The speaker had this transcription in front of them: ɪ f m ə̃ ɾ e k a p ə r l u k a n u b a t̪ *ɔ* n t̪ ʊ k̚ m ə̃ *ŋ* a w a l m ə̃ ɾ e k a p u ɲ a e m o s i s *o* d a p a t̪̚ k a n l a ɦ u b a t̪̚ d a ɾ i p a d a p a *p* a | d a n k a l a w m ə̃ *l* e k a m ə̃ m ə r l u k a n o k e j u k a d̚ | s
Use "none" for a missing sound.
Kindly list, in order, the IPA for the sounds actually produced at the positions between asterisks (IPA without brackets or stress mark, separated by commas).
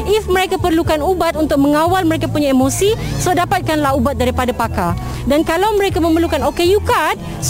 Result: u, ŋ, o, k, ɾ